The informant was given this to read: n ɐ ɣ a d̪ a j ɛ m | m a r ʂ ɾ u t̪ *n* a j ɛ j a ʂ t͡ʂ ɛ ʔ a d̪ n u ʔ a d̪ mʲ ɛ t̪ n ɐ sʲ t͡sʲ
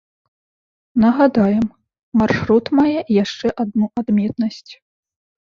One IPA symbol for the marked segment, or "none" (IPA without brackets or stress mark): m